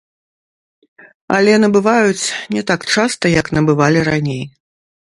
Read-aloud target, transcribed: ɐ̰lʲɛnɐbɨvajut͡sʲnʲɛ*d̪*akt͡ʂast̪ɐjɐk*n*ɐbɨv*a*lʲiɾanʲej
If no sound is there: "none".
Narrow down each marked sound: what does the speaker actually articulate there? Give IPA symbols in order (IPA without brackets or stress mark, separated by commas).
t̪, n, a